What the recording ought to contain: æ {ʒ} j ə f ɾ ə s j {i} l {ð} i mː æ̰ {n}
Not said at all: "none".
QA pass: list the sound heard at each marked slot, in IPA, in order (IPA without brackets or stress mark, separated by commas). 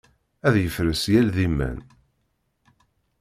ð, æ, ð, n